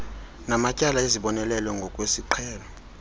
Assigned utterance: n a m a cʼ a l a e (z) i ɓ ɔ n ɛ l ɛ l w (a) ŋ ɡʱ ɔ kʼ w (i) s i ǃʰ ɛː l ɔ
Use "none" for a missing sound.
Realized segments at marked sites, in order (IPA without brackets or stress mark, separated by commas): z, ɛ, e